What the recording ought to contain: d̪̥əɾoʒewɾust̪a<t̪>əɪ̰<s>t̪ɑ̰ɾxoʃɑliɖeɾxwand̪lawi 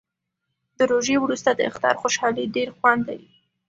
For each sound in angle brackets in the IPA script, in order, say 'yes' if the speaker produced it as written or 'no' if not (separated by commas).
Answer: no, no